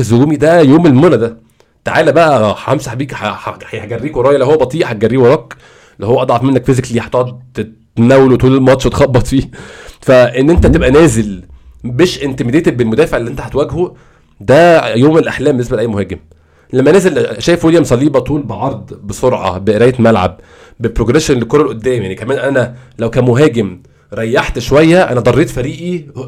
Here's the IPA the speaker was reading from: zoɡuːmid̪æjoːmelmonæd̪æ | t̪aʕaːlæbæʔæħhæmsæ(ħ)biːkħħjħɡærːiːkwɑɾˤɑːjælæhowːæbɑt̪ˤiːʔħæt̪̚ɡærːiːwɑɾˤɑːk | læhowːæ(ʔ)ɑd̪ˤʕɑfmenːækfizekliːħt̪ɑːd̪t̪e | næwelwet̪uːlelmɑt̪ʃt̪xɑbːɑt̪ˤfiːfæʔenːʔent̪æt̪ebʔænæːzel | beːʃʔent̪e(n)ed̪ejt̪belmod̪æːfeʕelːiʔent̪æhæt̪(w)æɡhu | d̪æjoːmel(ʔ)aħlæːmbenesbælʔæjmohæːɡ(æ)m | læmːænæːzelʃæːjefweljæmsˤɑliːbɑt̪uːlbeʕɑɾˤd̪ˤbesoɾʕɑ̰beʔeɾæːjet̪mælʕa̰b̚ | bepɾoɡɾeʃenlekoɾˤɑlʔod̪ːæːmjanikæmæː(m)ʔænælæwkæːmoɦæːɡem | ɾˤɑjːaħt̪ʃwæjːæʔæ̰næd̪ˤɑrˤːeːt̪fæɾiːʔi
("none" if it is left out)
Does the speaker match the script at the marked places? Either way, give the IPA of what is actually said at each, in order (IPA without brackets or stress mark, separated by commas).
ħ, ʔ, m, w, ʔ, e, n